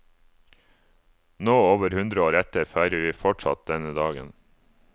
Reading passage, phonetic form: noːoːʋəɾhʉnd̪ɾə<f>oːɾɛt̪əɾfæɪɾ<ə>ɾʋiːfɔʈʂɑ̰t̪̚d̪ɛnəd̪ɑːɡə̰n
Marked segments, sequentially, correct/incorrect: incorrect: none, correct

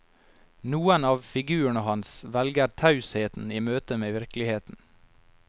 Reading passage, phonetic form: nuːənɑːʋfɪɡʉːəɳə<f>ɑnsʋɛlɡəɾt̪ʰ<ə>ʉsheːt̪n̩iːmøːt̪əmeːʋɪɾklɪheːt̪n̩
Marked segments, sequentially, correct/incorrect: incorrect: h, incorrect: ɑ

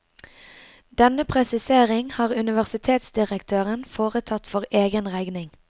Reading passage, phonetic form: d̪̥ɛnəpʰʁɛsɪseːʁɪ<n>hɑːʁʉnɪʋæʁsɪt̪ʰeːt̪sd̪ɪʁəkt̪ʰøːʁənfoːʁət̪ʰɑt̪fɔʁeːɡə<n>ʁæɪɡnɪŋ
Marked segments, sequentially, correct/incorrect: incorrect: ŋ, correct

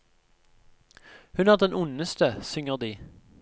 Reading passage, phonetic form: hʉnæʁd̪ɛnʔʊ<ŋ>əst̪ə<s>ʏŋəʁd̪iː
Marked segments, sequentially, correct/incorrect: incorrect: n, correct

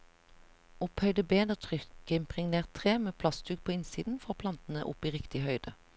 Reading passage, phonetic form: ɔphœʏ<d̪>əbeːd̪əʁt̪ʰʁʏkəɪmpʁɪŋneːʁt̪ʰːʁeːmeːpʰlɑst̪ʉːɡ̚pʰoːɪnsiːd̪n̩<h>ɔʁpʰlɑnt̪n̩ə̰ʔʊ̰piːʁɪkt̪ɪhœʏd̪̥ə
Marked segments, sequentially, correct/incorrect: correct, incorrect: f

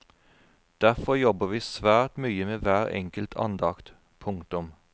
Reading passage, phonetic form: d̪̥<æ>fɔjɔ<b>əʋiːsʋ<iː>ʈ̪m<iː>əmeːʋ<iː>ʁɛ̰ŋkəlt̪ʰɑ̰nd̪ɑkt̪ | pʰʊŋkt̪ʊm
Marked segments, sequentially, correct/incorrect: correct, correct, incorrect: æː, incorrect: yː, incorrect: æː

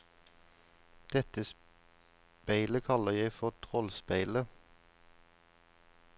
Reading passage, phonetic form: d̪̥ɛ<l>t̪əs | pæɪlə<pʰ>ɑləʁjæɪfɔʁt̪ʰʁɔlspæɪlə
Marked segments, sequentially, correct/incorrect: incorrect: none, incorrect: kʰ

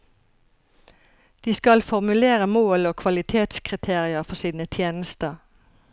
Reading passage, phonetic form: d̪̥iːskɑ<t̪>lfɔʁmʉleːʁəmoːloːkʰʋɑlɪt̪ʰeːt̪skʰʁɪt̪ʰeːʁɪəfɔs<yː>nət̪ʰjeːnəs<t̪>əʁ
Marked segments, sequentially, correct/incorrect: incorrect: none, incorrect: iː, correct

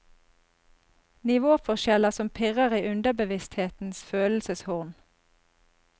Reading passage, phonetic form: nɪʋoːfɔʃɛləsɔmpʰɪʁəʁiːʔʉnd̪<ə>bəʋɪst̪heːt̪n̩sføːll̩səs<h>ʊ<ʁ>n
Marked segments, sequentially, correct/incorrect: correct, correct, correct

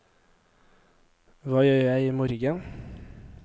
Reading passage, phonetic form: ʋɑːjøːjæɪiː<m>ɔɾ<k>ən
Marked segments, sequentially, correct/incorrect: correct, incorrect: ɡ

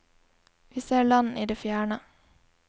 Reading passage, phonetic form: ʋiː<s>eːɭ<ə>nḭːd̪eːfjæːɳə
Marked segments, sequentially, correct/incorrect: correct, incorrect: ɑ

